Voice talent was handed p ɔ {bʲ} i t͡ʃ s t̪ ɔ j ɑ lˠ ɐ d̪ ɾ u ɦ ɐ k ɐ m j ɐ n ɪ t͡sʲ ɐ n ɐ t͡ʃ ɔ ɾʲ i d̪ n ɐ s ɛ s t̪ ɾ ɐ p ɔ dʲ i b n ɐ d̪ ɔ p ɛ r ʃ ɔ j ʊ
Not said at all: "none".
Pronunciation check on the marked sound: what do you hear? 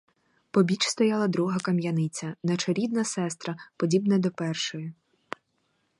bʲ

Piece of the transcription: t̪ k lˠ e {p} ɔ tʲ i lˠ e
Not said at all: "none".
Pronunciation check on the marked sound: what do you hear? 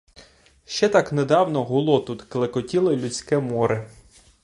k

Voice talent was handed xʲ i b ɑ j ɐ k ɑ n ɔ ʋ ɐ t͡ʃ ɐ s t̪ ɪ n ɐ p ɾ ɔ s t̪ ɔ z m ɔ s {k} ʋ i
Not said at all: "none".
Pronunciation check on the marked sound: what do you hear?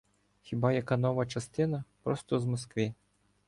k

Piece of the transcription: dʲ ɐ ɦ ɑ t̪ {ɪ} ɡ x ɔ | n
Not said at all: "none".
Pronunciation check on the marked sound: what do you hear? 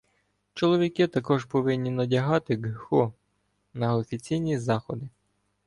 ɪ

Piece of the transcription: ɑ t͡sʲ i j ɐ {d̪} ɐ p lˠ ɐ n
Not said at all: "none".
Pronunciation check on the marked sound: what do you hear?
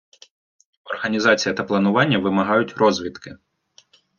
t̪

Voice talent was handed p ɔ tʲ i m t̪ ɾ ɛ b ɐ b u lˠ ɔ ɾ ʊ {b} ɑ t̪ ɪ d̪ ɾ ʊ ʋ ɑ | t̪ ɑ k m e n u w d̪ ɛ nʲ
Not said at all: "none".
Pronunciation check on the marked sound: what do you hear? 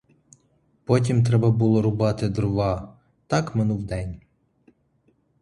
b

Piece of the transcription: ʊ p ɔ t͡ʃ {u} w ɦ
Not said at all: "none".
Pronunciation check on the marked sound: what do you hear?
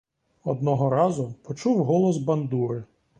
u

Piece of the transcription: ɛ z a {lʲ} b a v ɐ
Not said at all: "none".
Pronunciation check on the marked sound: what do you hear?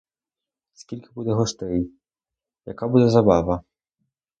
none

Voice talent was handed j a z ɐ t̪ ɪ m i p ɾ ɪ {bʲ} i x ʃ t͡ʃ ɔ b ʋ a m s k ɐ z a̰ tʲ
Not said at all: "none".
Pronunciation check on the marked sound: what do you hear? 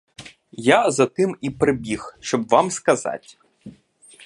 bʲ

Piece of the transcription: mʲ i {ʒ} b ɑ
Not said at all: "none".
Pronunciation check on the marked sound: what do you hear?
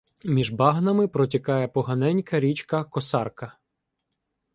ʒ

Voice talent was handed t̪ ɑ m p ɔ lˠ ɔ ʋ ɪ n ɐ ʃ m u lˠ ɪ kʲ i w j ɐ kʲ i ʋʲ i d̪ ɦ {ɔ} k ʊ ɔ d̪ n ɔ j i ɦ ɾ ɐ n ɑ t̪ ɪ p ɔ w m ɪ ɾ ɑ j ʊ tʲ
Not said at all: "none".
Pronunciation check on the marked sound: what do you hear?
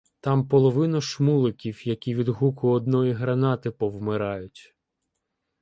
u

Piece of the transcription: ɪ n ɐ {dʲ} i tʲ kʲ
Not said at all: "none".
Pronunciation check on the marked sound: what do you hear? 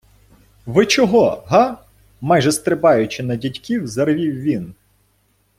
dʲ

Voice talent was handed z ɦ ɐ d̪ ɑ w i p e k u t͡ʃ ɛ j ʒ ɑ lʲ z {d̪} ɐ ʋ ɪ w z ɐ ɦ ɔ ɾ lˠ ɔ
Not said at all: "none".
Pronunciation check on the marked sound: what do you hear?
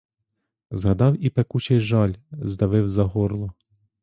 d̪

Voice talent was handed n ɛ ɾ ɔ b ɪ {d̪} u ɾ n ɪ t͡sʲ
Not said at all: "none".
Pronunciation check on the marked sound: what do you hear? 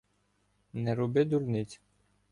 d̪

